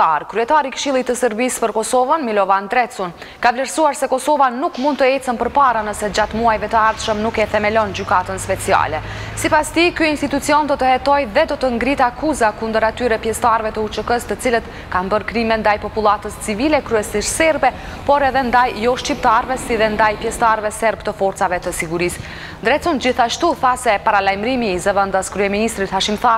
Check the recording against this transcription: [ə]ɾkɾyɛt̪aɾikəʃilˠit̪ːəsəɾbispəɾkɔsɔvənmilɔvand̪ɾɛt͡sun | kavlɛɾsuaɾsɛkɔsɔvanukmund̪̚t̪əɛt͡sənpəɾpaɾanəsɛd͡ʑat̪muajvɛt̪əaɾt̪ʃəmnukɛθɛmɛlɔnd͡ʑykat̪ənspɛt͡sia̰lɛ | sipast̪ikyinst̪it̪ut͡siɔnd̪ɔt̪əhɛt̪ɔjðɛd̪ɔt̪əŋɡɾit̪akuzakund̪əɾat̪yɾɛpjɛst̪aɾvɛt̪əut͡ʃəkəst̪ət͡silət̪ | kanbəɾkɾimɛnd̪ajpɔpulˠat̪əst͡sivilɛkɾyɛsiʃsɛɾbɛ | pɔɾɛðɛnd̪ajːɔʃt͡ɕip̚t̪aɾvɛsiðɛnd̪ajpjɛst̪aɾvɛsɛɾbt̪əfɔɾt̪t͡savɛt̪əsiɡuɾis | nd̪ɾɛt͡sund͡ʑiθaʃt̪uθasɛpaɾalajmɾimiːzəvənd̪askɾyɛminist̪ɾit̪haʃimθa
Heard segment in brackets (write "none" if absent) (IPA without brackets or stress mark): a